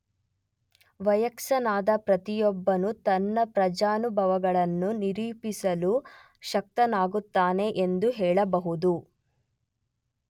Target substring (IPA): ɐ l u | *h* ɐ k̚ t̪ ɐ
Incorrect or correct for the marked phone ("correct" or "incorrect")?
incorrect